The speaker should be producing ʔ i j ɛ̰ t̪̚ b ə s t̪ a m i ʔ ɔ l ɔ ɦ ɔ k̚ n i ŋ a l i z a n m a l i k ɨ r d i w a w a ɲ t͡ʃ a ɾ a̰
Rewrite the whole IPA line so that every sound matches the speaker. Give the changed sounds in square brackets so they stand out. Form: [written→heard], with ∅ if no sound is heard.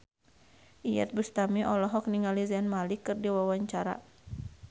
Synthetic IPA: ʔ i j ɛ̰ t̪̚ b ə s t̪ a m i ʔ ɔ l ɔ ɦ ɔ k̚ n i ŋ a l i z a n m a l i k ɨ r d i w a w a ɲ t͡ʃ a ɾ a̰